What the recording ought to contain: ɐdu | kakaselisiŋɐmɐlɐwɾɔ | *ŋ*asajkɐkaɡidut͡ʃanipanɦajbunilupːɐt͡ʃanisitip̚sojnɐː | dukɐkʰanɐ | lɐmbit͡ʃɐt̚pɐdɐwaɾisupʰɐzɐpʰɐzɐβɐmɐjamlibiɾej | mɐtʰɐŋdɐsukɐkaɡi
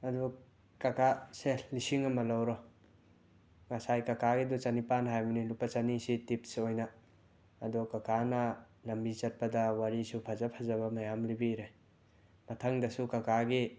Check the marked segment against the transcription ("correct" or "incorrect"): correct